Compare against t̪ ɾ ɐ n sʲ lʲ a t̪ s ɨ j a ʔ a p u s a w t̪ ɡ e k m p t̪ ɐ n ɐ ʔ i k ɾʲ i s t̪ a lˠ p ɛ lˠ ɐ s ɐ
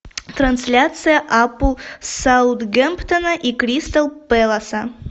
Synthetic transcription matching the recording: t̪ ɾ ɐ n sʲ lʲ a t̪ s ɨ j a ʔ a p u s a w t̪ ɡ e m p t̪ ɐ n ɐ ʔ i k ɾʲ i s t̪ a lˠ p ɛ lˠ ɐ s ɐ